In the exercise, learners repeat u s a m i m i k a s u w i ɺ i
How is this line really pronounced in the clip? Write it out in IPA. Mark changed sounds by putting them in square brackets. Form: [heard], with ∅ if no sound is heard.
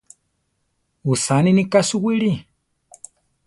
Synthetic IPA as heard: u s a [n] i [n] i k a s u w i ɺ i